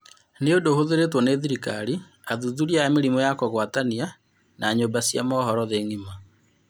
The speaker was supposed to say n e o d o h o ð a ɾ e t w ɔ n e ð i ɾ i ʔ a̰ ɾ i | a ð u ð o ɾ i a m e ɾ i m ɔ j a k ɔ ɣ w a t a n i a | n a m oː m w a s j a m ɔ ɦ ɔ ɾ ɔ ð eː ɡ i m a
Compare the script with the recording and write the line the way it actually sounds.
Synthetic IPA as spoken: n e o d o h o ð e ɾ e t w ɔ n e ð i ɾ i k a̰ ɾ i | a ð u ð u ɾ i a m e ɾ i m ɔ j a k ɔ ɣ w a t a n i a | n a ɲ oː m b a s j a m ɔ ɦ ɔ ɾ ɔ ð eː ŋ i m a